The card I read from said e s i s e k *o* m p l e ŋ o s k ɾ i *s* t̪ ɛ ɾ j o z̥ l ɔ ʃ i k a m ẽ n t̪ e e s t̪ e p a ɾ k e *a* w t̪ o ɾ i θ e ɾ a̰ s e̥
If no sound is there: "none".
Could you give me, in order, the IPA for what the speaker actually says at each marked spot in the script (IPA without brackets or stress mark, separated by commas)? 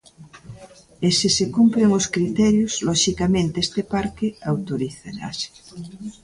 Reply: u, none, a